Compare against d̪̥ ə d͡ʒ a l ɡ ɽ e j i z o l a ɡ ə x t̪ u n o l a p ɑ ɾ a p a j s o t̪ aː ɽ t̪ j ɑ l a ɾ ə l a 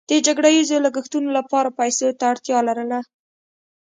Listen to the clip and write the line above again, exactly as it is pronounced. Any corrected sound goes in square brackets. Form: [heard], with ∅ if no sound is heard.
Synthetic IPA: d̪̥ ə d͡ʒ a [∅] ɡ ɽ [a] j i z o l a ɡ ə x t̪ u n o l a p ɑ ɾ a p a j s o t̪ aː ɽ t̪ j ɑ l a ɾ ə l a